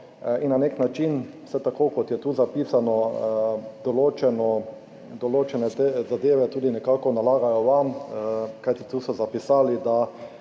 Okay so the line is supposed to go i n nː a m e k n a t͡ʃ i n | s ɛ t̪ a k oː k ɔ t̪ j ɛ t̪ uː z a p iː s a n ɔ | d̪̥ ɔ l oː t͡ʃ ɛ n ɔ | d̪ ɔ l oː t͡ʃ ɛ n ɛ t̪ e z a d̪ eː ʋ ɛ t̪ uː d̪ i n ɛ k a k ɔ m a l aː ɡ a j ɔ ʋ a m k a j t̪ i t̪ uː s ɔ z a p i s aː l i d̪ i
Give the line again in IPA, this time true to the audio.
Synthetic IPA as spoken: i n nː a n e k n a t͡ʃ i n | s ɛ t̪ a k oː k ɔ t̪ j ɛ t̪ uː z a p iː s a n ɔ | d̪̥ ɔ l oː t͡ʃ ɛ n ɔ | d̪ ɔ l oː t͡ʃ ɛ n ɛ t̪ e z a d̪ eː ʋ ɛ t̪ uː d̪ i n ɛ k a k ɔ n a l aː ɡ a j ɔ ʋ a m k a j t̪ i t̪ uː s ɔ z a p i s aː l i d̪ a